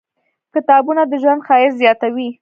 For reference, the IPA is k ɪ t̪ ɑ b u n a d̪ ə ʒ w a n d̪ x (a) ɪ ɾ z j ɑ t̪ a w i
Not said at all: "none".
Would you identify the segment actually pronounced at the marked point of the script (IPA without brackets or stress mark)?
ɑ